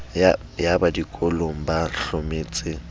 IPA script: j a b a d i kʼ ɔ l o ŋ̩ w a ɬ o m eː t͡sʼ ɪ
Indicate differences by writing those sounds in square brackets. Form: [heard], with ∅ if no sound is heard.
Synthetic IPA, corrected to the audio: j a b a d i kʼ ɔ l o ŋ̩ [b] a ɬ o m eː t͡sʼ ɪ